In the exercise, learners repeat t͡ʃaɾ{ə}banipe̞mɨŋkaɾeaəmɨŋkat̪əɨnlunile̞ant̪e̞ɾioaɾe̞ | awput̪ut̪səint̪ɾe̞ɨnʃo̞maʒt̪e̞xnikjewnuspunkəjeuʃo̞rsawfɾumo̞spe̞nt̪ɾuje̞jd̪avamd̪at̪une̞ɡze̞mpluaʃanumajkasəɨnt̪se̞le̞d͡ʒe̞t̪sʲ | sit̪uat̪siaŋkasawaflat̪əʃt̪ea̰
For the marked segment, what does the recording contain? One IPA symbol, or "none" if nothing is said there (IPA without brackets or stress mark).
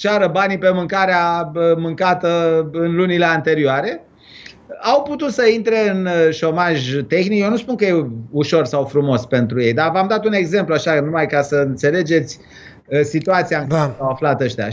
ə